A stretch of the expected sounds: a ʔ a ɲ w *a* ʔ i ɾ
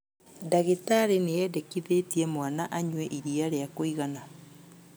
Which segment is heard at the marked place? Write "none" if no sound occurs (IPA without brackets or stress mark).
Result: ɛ